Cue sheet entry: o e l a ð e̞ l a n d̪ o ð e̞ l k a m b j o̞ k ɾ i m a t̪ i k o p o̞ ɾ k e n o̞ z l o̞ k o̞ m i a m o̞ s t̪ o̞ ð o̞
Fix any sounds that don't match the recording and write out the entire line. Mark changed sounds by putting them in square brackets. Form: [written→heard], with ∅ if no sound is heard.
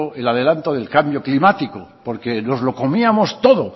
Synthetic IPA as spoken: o e l a ð e̞ l a n [d̪→t̪] o ð e̞ l k a m b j o̞ k [ɾ→l] i m a t̪ i k o p o̞ ɾ k e n o̞ z l o̞ k o̞ m i a m o̞ s t̪ o̞ ð o̞